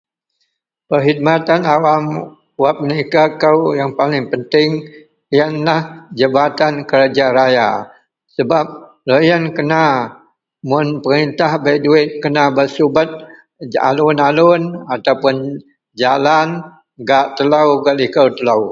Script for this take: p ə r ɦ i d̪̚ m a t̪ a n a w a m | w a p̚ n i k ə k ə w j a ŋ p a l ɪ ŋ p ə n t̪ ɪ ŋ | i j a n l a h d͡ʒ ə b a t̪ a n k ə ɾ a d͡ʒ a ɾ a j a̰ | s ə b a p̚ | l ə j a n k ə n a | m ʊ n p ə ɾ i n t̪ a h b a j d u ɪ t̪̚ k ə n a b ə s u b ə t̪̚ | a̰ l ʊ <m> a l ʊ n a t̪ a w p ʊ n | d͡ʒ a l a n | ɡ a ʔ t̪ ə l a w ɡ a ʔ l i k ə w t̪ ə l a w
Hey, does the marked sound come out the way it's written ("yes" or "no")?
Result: no